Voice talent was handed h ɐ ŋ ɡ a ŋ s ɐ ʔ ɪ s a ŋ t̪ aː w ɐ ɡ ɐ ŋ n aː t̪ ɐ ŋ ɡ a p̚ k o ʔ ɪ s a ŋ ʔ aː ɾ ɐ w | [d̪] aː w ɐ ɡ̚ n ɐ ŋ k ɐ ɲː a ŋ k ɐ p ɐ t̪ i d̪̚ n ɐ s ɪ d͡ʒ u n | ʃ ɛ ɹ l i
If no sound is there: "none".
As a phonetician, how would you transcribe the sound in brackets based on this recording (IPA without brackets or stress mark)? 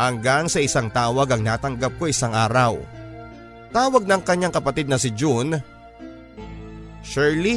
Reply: t̪